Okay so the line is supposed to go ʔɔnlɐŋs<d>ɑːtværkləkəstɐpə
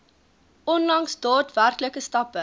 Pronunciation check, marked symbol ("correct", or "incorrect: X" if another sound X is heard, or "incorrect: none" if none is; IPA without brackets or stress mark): correct